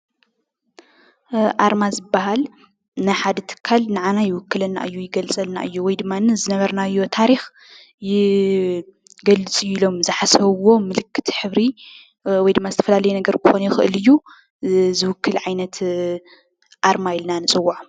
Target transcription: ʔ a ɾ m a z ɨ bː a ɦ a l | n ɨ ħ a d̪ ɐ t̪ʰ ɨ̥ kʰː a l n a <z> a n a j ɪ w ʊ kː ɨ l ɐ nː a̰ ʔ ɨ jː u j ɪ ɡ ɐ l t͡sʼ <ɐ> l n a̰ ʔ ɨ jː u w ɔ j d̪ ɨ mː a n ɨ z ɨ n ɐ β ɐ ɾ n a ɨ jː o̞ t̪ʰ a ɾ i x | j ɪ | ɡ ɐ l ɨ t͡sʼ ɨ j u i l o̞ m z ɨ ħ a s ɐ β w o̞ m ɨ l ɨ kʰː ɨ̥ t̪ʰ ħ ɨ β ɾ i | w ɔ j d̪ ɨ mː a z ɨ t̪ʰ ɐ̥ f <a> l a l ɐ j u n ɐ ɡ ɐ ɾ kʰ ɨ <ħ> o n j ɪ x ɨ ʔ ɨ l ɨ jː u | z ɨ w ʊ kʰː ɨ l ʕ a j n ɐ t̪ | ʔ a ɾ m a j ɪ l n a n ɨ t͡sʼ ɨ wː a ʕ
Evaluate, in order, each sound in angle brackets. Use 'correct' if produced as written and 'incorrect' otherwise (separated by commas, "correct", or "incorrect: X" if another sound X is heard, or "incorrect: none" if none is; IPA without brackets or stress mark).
incorrect: ʕ, correct, incorrect: ɐ, incorrect: x